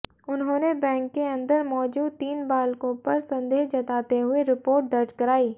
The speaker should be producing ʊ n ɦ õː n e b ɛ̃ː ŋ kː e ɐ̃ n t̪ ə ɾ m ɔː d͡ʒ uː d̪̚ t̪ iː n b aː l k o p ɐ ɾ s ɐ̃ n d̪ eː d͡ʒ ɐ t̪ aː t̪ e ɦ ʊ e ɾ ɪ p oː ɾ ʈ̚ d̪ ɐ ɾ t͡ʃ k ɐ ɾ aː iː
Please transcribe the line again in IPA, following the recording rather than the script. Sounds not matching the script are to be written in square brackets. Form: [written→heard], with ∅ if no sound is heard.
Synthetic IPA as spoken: ʊ n ɦ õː n e b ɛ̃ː ŋ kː e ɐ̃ n [t̪→d̪] ə ɾ m ɔː d͡ʒ uː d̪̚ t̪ iː n b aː l k [o→õ] p ɐ ɾ s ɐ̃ n d̪ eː d͡ʒ ɐ t̪ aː t̪ e ɦ ʊ e ɾ ɪ p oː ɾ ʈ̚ d̪ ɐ ɾ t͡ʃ k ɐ ɾ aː iː